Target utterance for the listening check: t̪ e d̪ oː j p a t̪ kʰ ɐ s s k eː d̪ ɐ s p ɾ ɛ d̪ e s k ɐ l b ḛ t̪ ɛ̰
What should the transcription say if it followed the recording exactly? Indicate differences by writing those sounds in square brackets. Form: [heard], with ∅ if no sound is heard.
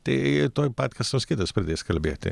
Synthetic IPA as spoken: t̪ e [t̪] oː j p a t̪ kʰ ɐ s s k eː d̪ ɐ s p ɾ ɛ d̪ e s k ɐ l b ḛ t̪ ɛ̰